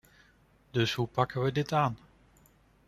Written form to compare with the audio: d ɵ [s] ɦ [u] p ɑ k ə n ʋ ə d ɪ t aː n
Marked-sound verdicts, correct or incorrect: correct, correct

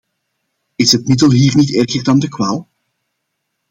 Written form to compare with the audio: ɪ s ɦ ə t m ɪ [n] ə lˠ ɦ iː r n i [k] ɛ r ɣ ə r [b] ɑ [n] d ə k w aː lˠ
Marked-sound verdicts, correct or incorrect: incorrect: d, incorrect: t, incorrect: d, correct

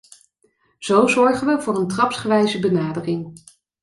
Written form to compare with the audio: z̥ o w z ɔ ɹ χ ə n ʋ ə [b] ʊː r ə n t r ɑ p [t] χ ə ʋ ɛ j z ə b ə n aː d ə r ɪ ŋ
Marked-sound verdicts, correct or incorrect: incorrect: v, incorrect: s

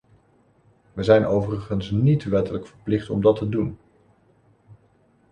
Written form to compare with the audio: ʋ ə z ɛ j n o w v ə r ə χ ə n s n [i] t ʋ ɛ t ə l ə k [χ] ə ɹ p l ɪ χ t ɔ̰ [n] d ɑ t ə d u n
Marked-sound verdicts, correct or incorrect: correct, incorrect: f, incorrect: m

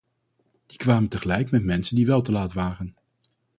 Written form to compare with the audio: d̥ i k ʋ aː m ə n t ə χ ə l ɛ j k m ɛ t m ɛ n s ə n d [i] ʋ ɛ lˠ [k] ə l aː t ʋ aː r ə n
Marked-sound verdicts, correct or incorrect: correct, incorrect: t

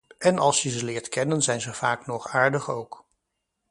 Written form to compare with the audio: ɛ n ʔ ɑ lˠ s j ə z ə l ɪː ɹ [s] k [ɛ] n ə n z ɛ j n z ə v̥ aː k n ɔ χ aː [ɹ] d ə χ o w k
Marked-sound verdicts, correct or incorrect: incorrect: t, correct, correct

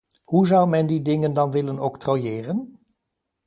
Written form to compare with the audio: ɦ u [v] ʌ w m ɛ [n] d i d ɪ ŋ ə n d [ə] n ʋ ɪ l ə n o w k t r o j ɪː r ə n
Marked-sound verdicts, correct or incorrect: incorrect: z, correct, incorrect: ɑ

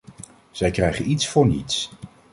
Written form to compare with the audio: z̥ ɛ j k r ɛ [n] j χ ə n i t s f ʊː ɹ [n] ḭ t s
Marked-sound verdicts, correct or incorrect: incorrect: none, correct

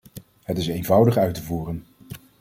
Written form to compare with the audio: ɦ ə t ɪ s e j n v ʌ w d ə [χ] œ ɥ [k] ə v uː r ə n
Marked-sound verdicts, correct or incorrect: correct, incorrect: t

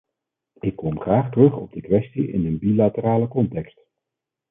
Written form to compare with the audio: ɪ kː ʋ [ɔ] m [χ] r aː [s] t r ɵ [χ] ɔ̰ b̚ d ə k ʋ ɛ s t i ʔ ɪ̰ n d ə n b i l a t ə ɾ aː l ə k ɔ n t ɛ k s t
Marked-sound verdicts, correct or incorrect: correct, correct, incorrect: χ, correct

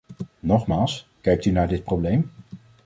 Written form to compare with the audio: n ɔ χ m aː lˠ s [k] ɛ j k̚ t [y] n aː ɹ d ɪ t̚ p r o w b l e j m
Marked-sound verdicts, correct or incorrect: correct, correct

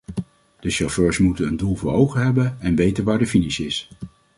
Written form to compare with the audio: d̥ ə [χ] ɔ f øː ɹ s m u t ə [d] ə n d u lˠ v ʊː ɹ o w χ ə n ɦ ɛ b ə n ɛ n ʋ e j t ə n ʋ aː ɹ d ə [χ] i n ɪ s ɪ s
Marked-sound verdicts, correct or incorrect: incorrect: ʃ, incorrect: n, incorrect: f

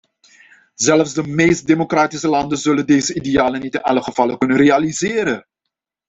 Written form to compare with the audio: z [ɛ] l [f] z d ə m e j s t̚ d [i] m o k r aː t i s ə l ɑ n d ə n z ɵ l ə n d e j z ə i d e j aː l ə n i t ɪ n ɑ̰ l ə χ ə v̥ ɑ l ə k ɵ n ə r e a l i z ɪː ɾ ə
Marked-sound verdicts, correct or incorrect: correct, correct, incorrect: e

